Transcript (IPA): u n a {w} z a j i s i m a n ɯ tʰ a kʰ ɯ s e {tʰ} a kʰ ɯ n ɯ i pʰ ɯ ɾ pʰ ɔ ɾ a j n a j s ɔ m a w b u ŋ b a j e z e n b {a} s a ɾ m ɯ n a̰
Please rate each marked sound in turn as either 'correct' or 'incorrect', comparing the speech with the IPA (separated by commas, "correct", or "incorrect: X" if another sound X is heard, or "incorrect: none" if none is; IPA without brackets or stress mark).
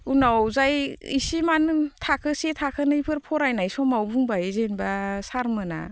correct, correct, correct